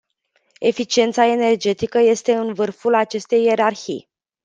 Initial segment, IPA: e̞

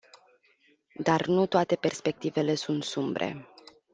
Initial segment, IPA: d̪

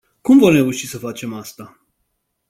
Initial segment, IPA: k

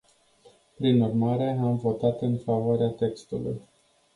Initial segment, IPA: p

